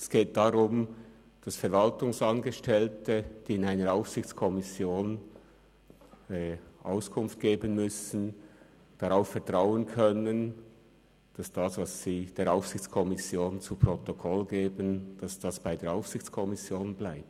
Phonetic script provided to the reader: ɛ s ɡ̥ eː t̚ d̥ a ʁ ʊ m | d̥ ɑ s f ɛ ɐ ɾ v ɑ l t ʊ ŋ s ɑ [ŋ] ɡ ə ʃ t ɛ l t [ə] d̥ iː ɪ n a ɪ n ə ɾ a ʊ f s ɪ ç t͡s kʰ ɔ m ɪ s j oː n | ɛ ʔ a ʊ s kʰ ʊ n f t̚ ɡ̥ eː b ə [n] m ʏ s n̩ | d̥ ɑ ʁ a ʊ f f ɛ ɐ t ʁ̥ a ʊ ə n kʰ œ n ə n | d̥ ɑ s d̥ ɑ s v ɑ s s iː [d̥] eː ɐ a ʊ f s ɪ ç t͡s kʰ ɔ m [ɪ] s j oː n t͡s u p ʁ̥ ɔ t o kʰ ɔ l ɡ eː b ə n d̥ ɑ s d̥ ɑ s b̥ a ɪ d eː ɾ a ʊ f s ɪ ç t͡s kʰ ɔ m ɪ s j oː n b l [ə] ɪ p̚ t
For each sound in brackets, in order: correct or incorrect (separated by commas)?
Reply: incorrect, correct, correct, correct, correct, incorrect